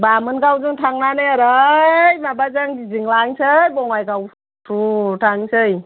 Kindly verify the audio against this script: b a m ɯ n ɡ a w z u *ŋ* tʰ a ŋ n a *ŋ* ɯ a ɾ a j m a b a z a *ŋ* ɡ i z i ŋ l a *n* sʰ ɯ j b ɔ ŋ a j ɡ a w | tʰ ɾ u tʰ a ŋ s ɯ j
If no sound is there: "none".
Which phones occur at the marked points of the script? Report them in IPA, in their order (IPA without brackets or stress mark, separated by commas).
ŋ, n, ŋ, ŋ